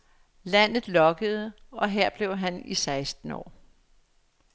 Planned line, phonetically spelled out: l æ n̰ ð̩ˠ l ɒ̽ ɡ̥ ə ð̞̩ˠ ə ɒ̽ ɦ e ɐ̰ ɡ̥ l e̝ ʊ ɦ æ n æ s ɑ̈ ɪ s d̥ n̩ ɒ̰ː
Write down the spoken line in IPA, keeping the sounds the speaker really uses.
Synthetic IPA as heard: l æ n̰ ð̩ˠ l ɒ̽ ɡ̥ ə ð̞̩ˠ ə ɒ̽ ɦ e ɐ̰ b̥ l e̝ ʊ ɦ æ n i s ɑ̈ ɪ s d̥ n̩ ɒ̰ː